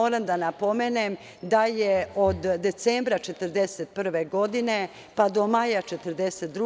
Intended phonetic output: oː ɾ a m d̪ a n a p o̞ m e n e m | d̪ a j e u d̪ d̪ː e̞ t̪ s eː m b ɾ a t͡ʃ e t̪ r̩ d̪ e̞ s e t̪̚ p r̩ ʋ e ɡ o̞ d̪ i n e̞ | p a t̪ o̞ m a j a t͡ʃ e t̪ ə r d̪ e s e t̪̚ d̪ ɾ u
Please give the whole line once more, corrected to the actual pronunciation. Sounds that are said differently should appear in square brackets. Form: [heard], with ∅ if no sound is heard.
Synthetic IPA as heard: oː ɾ a m d̪ a n a p o̞ m e n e m | d̪ a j e [o] d̪ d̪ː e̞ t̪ s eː m b ɾ a t͡ʃ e t̪ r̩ d̪ e̞ s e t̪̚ p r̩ ʋ e ɡ o̞ d̪ i n e̞ | p a [d̪] o̞ m a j a t͡ʃ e t̪ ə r d̪ e s e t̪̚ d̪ ɾ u